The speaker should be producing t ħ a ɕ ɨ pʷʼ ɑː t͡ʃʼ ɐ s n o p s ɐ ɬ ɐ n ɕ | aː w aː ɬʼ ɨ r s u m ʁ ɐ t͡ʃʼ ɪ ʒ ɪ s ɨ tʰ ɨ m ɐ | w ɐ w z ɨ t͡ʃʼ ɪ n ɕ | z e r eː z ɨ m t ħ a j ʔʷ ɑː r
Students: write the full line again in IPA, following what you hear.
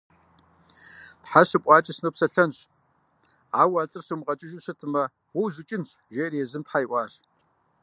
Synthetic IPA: t ħ a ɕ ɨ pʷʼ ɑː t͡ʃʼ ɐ s n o p s ɐ ɬ ɐ n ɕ | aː w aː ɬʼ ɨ r s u m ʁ ɐ t͡ʃʼ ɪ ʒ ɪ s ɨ tʰ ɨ m ɐ | w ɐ w z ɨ t͡ʃʼ ɪ n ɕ | ʒ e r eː z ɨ m t ħ a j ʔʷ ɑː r

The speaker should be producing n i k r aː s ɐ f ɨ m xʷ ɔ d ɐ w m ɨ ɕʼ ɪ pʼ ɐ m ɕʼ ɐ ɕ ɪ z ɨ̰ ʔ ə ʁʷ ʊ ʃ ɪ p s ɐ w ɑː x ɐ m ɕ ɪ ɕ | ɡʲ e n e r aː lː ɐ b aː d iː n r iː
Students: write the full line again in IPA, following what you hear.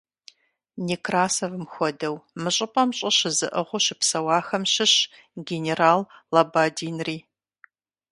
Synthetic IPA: n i k r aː s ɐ v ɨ m xʷ ɔ d ɐ w m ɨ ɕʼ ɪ pʼ ɐ m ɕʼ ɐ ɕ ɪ z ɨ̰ ʔ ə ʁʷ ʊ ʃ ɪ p s ɐ w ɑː x ɐ m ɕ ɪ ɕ | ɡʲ e n e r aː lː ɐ b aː d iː n r iː

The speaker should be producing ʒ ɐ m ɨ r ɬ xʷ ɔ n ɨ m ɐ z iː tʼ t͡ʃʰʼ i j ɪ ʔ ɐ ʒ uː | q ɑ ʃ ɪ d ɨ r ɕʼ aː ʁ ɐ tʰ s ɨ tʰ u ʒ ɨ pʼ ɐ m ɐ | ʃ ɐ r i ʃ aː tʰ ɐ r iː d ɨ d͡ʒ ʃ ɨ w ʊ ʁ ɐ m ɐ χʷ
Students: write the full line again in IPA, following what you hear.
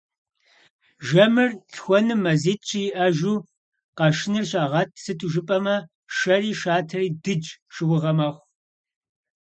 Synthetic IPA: ʒ ɐ m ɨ r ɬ xʷ ɔ n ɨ m ɐ z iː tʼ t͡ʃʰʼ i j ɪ ʔ ɐ ʒ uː | q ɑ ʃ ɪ n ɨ r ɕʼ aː ʁ ɐ tʰ s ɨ tʰ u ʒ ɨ pʼ ɐ m ɐ | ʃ ɐ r iː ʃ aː tʰ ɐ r iː d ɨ d͡ʒ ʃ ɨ w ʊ ʁ ɐ m ɐ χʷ

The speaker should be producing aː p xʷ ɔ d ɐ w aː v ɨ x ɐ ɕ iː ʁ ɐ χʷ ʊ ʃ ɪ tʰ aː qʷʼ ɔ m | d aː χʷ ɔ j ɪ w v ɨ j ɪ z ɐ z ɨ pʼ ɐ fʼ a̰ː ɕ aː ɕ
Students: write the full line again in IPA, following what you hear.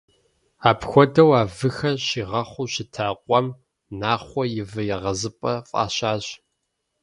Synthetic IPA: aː p xʷ ɔ d ɐ w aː v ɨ x ɐ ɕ iː ʁ ɐ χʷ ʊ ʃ ɪ tʰ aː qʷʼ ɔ m | n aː χʷ ɔ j ɪ v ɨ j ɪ ʁ ɐ z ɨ pʼ ɐ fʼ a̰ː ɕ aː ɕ

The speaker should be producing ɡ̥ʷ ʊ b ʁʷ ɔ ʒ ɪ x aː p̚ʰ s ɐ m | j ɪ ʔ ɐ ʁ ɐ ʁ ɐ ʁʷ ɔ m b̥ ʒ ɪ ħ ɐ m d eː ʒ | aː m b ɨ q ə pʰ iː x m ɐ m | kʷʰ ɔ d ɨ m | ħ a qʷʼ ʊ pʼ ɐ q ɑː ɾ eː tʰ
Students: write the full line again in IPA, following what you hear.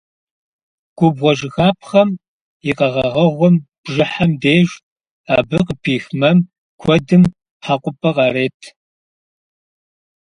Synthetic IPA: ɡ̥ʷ ʊ b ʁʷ ɔ ʒ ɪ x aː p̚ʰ χ ɐ m | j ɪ q ɐ ʁ ɐ ʁ ɐ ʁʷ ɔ m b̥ ʒ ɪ ħ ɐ m d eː ʒ | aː b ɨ q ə pʰ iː x m ɐ m | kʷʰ ɔ d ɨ m | ħ a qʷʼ ʊ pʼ ɐ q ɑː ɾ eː tʰ

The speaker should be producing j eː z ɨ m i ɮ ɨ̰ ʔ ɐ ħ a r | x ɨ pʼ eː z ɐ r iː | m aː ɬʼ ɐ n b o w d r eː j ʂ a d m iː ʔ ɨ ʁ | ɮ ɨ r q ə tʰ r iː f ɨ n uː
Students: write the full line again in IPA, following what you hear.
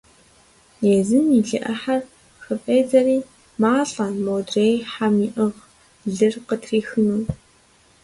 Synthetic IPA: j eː z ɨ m i ɮ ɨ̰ ʔ ɐ ħ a r | x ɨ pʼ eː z ɐ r iː | m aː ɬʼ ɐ n m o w d r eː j ħ a m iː ʔ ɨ ʁ | ɮ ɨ r q ə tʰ r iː x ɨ n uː

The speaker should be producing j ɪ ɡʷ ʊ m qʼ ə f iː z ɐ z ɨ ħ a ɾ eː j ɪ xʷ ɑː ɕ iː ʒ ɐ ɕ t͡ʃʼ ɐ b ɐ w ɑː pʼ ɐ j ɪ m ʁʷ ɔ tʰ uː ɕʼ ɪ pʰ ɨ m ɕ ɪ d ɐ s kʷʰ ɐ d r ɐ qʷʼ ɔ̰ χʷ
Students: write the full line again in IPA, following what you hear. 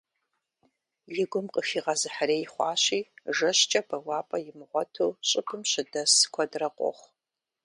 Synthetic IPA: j ɪ ɡʷ ʊ m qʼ ə f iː ʁ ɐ z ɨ ħ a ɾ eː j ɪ χʷ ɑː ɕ iː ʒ ɐ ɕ t͡ʃʼ ɐ b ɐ w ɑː pʼ ɐ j ɪ m ʁʷ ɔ tʰ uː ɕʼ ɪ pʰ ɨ m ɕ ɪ d ɐ s kʷʰ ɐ d r ɐ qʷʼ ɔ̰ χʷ

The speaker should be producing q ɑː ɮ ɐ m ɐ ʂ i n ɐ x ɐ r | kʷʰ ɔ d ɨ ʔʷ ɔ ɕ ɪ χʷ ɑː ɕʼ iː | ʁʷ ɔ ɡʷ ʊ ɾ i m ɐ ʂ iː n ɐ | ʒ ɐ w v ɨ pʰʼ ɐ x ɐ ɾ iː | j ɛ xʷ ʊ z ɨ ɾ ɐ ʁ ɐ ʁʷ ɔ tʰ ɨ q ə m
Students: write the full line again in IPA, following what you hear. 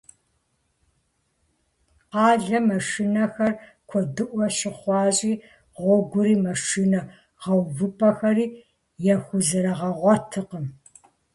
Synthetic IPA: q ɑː ɮ ɐ m ɐ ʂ i n ɐ x ɐ r | kʷʰ ɔ d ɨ ʔʷ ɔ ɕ ɪ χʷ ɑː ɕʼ iː | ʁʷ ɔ ɡʷ ʊ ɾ iː m ɐ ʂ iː n ɐ | ʁ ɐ w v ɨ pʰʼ ɐ x ɐ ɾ iː | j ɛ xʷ ʊ z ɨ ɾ ɐ ʁ ɐ ʁʷ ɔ tʰ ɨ q ə m

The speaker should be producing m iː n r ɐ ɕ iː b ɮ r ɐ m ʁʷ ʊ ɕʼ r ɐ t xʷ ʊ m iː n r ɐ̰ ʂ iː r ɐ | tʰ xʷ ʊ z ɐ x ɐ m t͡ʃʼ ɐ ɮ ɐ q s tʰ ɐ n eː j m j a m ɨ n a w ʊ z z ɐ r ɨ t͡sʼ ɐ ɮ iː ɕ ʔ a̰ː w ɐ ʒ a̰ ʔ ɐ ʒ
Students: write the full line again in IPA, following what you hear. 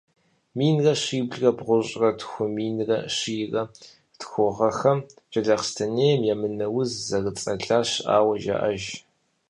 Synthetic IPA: m iː n r ɐ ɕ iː b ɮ r ɐ b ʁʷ ʊ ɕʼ r ɐ t xʷ ʊ m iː n r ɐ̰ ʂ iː r ɐ | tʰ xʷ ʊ ʁ ɐ x ɐ m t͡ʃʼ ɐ ɮ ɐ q s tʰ ɐ n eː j m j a m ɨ n ɐ w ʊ z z ɐ r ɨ t͡sʼ ɐ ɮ aː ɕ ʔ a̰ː w ɐ ʒ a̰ ʔ ɐ ʒ

